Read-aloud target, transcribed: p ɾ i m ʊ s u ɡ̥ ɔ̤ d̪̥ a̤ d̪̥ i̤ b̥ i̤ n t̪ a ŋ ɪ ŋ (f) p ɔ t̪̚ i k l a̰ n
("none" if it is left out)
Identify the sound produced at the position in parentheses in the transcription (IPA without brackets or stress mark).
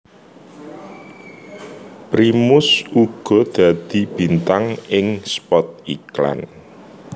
s